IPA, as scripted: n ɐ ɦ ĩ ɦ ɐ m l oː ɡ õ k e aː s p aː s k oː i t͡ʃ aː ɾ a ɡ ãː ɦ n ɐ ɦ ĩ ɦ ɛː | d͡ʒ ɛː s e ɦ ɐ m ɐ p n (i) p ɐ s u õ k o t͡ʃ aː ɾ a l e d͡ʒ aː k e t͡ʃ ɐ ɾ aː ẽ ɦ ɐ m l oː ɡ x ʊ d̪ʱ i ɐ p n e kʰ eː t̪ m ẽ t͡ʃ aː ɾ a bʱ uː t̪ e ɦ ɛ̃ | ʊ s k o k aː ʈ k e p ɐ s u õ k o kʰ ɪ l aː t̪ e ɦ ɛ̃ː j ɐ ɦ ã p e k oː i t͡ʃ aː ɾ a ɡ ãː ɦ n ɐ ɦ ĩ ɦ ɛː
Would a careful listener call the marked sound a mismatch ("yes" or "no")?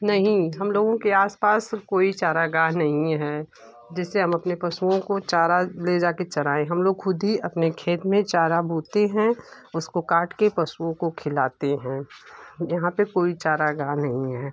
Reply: yes